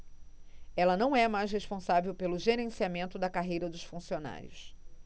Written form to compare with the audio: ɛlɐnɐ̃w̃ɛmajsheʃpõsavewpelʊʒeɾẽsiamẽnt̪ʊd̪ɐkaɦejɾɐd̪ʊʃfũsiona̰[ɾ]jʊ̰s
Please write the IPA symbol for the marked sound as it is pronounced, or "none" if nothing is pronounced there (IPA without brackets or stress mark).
ɾ